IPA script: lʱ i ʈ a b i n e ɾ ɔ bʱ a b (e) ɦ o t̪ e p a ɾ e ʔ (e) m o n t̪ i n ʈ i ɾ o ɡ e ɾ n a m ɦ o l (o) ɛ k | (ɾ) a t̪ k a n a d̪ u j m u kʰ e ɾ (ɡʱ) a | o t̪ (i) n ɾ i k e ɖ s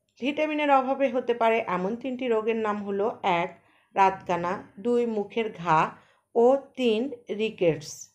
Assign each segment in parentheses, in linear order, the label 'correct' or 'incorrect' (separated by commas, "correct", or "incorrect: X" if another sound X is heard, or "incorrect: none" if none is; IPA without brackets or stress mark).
correct, incorrect: ɛ, correct, correct, correct, correct